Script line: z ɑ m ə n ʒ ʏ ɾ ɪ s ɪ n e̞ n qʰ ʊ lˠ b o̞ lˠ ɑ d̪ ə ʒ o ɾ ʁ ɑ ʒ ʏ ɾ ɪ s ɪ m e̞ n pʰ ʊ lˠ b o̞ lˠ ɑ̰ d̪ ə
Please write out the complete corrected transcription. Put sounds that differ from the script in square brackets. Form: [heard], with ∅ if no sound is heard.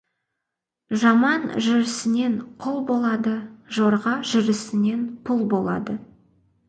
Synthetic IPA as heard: [ʒ] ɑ m [ɑ] n ʒ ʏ ɾ ɪ s ɪ n e̞ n qʰ ʊ lˠ b o̞ lˠ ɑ d̪ ə ʒ o ɾ ʁ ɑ ʒ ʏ ɾ ɪ s ɪ [n] e̞ n pʰ ʊ lˠ b o̞ lˠ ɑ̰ d̪ ə